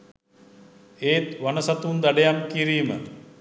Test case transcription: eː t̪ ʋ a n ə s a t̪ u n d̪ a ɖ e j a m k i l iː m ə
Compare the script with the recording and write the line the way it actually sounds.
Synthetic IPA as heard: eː t̪ ʋ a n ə s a t̪ u n d̪ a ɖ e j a m k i ɾ iː m ə